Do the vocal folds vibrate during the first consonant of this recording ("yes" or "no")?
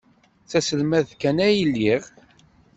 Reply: no